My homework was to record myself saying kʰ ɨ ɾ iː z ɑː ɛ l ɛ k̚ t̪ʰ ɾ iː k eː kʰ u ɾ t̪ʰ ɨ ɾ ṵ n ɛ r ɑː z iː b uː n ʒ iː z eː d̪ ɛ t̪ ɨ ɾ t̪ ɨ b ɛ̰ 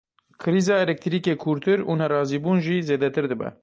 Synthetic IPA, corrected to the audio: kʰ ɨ ɾ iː z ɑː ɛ l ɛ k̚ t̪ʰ ɾ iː k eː kʰ u ɾ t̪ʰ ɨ ɾ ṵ n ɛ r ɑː z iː b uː n ʒ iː z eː d̪ ɛ t̪ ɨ ɾ d̪ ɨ b ɛ̰